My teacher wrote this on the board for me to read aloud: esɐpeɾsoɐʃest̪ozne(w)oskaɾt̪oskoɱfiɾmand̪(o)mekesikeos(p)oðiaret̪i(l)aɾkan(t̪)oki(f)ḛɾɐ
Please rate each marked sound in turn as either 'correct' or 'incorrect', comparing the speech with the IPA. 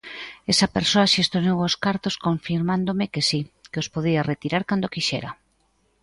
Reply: correct, correct, correct, incorrect: ɾ, incorrect: d̪, incorrect: ʃ

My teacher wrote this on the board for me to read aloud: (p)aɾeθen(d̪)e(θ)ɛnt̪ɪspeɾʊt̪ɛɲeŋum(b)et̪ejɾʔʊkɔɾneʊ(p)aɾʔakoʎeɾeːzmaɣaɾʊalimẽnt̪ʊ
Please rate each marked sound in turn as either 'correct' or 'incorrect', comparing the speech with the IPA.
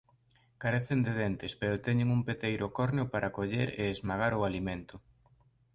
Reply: incorrect: k, correct, incorrect: ð, incorrect: p, correct

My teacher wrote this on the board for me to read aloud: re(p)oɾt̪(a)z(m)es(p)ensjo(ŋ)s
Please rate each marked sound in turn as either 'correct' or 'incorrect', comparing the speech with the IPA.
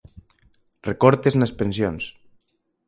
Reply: incorrect: k, incorrect: e, incorrect: n, correct, incorrect: n

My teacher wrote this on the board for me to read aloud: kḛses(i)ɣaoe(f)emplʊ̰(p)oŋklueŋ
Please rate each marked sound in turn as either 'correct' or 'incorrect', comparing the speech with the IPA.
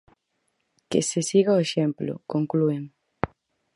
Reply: correct, incorrect: ʃ, incorrect: k

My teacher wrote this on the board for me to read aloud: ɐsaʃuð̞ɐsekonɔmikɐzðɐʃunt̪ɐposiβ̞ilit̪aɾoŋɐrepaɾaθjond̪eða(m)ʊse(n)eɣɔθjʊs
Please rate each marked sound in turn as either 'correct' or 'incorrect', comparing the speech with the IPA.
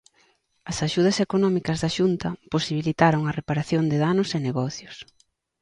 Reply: incorrect: n, correct

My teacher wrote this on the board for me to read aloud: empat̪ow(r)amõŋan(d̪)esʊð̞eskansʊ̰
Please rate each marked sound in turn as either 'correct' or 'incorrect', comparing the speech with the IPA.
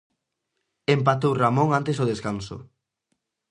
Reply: correct, incorrect: t̪

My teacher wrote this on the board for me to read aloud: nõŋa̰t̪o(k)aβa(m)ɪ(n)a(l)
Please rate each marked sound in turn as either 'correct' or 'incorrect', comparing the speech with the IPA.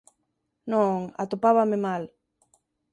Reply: incorrect: p, correct, incorrect: m, correct

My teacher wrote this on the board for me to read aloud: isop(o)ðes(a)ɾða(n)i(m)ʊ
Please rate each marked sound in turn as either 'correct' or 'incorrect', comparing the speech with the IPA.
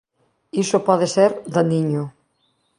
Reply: incorrect: ɔ, incorrect: e, correct, incorrect: ɲ

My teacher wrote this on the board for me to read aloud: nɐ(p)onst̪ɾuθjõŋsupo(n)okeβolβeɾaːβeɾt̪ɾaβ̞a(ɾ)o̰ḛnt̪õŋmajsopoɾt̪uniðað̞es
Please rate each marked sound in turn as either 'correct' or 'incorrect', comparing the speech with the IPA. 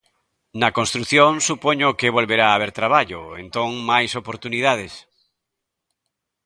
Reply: incorrect: k, incorrect: ɲ, incorrect: ʎ

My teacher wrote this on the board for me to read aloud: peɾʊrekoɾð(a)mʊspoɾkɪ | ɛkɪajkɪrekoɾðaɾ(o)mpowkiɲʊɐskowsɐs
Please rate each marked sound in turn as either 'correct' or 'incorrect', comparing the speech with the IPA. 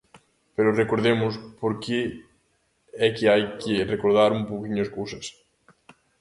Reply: incorrect: e, incorrect: u

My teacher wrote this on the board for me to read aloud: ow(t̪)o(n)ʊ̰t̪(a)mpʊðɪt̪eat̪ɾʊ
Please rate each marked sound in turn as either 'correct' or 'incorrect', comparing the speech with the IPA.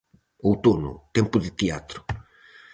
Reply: correct, correct, incorrect: ɛ

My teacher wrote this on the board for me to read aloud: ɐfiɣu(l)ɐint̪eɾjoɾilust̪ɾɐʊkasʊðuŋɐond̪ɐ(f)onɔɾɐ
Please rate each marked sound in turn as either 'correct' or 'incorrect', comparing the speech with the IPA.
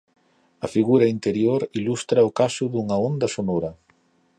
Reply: incorrect: ɾ, incorrect: s

